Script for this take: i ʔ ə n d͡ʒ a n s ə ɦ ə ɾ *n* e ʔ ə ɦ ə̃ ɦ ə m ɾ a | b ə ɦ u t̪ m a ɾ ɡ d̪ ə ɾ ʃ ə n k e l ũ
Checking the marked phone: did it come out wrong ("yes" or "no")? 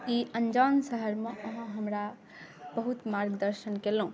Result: yes